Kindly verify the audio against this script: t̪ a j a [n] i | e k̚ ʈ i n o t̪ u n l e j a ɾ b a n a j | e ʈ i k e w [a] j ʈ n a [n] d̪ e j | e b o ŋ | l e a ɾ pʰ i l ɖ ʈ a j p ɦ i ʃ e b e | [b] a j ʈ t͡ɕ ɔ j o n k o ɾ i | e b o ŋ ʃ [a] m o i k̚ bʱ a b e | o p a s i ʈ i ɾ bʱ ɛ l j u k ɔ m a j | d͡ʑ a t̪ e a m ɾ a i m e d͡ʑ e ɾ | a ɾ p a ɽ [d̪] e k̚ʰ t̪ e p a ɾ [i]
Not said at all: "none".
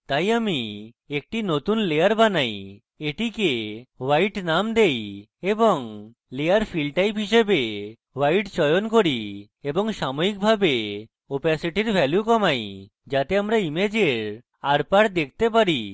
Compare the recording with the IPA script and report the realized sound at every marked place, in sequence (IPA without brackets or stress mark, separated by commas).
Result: m, a, m, w, a, d̪, i